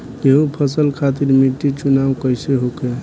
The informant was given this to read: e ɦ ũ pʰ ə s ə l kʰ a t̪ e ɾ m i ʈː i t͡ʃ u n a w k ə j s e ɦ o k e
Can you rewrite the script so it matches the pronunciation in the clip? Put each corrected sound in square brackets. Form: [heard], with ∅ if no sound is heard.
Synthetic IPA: e ɦ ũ pʰ ə s ə l kʰ a t̪ [i] ɾ m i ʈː i t͡ʃ u n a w k ə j s e ɦ o k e